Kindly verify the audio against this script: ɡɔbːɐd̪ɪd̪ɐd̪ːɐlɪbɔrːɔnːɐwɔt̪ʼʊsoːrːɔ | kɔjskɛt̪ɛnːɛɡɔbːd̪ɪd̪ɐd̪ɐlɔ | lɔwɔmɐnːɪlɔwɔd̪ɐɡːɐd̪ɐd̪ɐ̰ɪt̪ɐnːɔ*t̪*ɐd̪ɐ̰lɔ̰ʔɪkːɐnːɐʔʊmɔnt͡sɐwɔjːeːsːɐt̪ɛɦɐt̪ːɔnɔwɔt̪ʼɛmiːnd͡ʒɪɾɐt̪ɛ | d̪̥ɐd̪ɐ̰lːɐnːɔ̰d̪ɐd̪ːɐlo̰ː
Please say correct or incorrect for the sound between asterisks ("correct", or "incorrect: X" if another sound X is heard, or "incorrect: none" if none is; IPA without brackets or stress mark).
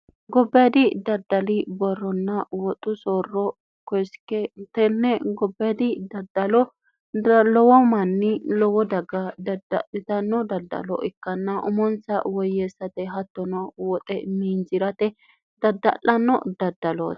incorrect: d̪